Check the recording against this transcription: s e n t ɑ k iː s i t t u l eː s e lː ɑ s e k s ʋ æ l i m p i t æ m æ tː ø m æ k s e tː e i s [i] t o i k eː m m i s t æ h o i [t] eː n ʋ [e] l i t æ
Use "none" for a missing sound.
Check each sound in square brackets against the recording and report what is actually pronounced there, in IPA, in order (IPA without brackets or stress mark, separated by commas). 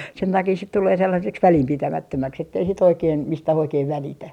i, k, æ